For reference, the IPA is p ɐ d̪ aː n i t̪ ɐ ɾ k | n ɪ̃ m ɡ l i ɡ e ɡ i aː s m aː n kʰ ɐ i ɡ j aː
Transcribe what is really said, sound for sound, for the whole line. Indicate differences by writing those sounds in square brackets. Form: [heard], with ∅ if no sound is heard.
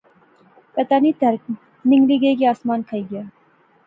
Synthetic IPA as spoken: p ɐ [t̪] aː n i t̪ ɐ ɾ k | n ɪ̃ [ŋ] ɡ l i ɡ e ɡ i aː s m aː n kʰ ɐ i ɡ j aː